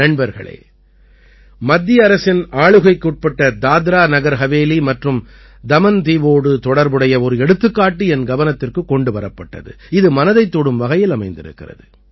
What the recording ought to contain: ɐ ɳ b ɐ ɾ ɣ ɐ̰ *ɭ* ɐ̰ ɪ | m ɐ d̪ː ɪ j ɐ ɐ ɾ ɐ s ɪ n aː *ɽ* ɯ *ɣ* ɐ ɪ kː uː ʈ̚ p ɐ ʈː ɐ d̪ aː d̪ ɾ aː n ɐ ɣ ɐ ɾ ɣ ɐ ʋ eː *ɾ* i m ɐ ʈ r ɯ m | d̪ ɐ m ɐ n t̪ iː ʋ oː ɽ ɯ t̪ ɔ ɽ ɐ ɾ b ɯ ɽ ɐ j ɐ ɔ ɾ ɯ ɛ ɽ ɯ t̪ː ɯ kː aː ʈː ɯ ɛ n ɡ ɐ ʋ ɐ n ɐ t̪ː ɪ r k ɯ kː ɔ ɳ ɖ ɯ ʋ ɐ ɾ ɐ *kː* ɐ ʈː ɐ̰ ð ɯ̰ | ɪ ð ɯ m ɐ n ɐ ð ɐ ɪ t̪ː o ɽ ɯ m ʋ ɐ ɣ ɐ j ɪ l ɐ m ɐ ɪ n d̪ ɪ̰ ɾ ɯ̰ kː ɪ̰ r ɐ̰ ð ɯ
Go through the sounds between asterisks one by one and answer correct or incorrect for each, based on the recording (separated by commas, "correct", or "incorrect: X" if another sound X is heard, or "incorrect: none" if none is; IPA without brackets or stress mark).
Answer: correct, incorrect: ɭ, correct, incorrect: l, incorrect: pː